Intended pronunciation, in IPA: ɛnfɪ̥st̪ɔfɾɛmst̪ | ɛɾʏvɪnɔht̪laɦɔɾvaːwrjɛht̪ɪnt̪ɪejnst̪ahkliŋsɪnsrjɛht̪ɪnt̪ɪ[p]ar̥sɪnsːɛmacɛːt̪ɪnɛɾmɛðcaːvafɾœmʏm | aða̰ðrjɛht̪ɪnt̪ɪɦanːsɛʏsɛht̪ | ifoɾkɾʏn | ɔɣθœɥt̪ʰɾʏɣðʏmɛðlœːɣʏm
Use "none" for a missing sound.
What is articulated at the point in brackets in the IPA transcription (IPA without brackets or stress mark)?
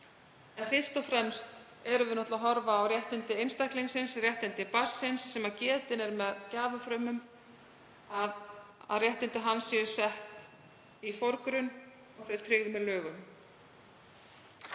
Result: p